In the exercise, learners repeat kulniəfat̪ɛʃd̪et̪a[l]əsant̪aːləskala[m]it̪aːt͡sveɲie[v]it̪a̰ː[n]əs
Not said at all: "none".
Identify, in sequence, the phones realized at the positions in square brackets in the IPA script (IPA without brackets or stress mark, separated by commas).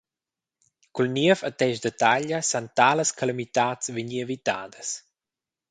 ʎ, m, v, d